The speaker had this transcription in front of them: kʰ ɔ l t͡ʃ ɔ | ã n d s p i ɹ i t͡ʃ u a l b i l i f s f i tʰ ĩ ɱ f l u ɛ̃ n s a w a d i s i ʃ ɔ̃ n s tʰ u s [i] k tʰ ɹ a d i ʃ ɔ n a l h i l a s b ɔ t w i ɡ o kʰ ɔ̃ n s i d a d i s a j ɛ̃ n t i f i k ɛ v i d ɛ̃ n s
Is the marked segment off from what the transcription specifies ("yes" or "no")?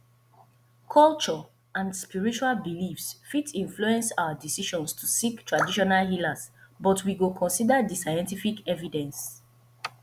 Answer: no